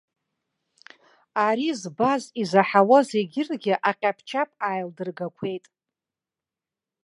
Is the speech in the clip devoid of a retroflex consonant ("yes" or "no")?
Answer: yes